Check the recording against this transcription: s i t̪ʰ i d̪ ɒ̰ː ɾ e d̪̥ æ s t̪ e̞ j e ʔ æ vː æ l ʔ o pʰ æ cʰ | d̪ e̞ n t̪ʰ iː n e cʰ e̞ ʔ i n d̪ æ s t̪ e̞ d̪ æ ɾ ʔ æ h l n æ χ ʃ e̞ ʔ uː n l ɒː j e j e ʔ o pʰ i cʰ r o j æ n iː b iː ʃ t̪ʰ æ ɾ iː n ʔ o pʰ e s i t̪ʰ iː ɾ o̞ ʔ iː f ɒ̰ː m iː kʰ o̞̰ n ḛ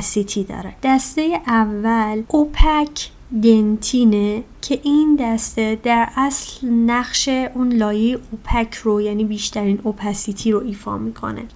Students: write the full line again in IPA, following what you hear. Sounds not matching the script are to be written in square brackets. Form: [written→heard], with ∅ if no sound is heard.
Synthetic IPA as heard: s i t̪ʰ i d̪ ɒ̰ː ɾ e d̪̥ æ s t̪ e̞ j e ʔ æ vː æ l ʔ o pʰ æ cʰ | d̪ e̞ n t̪ʰ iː n e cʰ e̞ ʔ i n d̪ æ s t̪ e̞ d̪ æ ɾ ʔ æ [h→s] l n æ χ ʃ e̞ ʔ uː n l ɒː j e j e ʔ o pʰ [i→æ] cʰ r o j æ n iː b iː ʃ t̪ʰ æ ɾ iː n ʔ o pʰ [e→æ] s i t̪ʰ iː ɾ o̞ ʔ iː f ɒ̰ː m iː kʰ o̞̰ n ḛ